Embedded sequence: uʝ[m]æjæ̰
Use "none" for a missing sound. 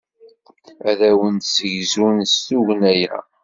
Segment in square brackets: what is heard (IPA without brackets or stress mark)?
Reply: n